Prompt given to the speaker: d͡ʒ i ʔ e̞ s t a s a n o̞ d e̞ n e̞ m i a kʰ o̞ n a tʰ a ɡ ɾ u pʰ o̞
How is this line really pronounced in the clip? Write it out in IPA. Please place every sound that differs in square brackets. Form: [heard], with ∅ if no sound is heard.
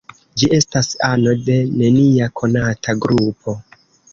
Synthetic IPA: d͡ʒ i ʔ e̞ s t a s a n o̞ d e̞ n e̞ [n] i a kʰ o̞ n a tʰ a ɡ ɾ u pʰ o̞